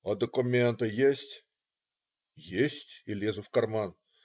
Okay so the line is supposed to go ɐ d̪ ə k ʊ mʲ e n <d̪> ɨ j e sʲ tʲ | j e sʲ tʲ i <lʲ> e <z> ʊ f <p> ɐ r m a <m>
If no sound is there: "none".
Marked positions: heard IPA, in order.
t̪, lʲ, z, k, n

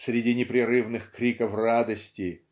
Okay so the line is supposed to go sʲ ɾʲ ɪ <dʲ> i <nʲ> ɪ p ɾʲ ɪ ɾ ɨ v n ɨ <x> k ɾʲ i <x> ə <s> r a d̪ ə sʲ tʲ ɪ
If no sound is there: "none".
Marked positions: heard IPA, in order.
dʲ, nʲ, x, k, f

